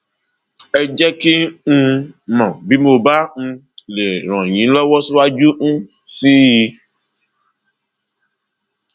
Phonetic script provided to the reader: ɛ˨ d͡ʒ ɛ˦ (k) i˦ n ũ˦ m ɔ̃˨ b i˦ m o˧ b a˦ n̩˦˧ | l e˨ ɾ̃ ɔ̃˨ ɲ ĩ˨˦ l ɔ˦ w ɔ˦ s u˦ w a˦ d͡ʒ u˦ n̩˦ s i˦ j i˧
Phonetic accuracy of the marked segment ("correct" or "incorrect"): correct